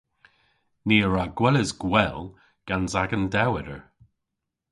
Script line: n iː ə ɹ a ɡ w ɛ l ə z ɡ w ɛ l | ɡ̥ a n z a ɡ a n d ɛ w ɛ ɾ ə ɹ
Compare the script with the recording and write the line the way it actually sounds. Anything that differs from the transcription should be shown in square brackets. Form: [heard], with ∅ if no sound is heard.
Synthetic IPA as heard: n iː ə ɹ a ɡ w ɛ l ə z ɡ w ɛ l | ɡ̥ a n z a ɡ [ə] n d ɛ w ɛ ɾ ə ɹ